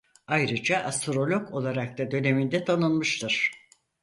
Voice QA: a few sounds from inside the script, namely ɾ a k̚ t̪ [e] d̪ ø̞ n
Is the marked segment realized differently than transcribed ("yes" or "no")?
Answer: yes